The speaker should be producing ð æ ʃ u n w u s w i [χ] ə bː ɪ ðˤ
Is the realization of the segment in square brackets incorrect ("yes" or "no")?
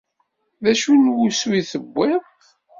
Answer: yes